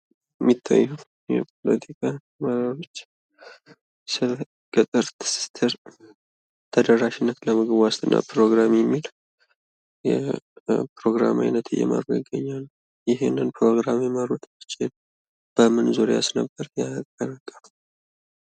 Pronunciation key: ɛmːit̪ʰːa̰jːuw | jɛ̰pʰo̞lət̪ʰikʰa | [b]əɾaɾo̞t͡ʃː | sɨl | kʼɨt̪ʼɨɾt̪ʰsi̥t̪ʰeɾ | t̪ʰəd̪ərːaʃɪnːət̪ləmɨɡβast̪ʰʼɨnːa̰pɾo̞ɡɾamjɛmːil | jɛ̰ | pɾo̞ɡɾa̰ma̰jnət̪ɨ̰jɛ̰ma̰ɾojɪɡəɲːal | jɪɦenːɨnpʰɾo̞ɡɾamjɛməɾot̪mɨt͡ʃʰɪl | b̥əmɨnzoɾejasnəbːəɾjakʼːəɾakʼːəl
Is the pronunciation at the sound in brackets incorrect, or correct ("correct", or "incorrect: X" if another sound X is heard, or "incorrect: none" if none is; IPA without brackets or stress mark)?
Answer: incorrect: m